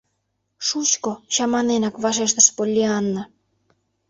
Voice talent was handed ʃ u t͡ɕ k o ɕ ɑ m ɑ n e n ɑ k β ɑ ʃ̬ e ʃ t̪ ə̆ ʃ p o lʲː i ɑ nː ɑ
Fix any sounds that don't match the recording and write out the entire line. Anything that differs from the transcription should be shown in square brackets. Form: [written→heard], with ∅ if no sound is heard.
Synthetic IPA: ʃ u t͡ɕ k o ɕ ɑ m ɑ n e n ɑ k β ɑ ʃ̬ e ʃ t̪ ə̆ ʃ p o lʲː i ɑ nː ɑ